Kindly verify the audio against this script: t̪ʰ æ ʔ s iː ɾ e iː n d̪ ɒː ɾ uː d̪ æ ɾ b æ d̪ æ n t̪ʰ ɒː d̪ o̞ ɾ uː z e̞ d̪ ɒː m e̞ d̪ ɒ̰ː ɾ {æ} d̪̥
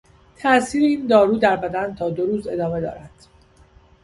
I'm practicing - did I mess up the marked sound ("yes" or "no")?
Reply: no